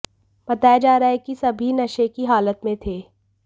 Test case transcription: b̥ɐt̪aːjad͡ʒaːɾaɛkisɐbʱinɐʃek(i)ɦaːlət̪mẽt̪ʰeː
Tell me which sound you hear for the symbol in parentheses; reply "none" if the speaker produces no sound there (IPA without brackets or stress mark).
i